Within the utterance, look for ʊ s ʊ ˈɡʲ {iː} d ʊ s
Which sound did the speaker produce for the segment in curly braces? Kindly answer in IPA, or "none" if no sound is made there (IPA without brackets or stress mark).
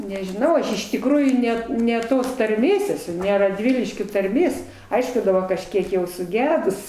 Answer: æː